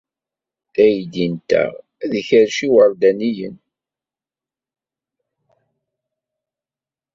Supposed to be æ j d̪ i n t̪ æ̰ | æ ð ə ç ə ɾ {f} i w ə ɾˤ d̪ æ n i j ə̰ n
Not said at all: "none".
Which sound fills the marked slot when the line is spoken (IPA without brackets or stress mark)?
ʃ